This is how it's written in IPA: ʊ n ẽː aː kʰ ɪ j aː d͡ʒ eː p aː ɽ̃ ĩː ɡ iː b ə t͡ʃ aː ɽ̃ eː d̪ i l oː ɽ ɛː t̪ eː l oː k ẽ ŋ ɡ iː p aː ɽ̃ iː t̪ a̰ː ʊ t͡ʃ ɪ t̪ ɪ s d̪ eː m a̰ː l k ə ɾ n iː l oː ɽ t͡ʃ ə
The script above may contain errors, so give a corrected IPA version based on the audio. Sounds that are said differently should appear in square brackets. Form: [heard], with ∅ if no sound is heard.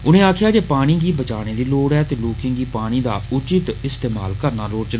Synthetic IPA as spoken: ʊ n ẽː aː kʰ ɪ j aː d͡ʒ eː p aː ɽ̃ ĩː ɡ iː b ə t͡ʃ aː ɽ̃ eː d̪ [iː] l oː ɽ ɛː t̪ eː l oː k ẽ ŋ ɡ iː p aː ɽ̃ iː [d̪] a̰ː ʊ t͡ʃ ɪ t̪ ɪ s [t̪] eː m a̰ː l k ə ɾ n [aː] l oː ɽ t͡ʃ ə